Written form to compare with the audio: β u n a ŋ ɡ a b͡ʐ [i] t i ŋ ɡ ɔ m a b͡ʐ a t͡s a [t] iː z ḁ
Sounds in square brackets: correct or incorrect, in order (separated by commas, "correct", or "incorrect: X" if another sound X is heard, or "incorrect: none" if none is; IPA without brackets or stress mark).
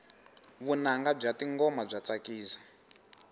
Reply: incorrect: a, incorrect: k